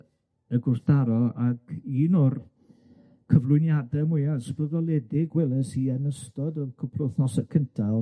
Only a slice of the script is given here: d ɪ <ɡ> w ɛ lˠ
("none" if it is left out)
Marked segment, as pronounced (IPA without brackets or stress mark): ɡ